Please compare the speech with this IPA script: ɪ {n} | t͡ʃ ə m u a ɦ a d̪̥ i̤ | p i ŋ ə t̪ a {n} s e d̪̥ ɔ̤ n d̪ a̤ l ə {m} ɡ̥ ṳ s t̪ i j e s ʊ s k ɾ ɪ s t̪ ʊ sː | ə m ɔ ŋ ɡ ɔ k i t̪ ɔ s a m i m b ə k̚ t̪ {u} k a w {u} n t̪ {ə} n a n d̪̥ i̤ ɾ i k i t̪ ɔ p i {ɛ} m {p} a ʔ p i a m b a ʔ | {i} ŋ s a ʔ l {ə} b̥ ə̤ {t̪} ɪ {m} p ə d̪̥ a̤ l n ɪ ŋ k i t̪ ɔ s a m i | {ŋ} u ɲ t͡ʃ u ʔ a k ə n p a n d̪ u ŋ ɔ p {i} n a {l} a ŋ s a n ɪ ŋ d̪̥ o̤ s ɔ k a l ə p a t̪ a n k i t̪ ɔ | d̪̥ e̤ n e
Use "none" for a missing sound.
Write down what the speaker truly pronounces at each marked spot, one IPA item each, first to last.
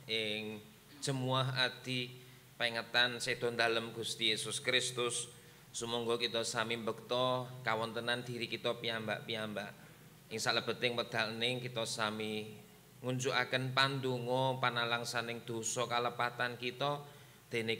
ŋ, n, m, ɔ, ɔ, ə, a, b, ɪ, ə, t̪, ŋ, ŋ, a, l

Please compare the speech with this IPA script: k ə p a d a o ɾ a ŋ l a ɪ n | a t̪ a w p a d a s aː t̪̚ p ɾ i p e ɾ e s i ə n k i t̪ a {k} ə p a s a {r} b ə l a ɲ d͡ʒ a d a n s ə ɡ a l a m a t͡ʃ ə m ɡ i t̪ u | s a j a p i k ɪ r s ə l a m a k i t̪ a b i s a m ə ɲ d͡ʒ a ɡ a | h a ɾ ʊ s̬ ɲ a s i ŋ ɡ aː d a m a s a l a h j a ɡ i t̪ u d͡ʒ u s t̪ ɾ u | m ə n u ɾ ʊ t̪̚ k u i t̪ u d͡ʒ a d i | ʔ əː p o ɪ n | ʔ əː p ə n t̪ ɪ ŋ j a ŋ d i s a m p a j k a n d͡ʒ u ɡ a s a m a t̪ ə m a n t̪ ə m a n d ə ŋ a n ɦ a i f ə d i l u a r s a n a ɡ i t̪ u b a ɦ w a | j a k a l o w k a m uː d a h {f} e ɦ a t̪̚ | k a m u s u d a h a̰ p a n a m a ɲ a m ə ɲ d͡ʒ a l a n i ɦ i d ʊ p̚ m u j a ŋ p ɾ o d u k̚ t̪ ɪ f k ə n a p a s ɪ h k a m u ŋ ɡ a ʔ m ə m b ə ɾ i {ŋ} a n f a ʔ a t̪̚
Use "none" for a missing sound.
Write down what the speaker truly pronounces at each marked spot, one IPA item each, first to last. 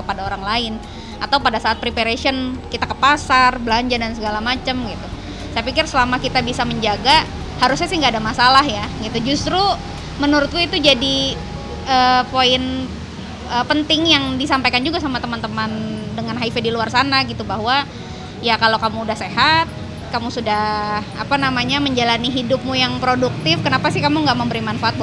k, r, s, m

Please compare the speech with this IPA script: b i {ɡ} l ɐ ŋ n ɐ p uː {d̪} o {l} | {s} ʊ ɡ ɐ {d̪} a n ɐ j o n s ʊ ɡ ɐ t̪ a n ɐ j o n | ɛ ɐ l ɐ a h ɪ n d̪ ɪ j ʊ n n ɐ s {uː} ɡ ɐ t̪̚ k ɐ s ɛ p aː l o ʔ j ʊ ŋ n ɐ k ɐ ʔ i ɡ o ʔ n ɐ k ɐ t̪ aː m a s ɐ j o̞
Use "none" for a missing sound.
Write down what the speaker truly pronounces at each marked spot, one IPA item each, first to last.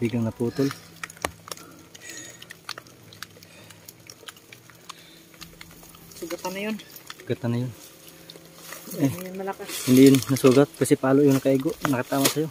ɡ, t̪, l, s, t̪, uː

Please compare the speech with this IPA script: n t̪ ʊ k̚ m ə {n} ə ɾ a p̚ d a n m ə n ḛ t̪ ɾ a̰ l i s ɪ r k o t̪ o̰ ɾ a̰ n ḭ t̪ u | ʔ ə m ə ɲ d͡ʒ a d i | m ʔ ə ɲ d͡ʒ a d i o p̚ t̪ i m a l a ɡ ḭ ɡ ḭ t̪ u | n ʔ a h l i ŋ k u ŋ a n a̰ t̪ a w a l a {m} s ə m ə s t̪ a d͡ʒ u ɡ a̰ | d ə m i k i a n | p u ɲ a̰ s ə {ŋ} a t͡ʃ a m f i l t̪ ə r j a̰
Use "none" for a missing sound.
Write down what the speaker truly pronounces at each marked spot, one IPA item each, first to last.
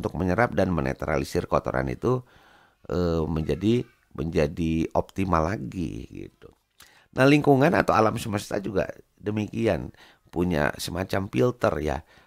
ɲ, m, m

